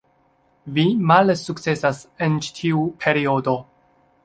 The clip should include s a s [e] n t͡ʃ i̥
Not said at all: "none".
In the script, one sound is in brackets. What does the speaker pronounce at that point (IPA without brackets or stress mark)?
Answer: e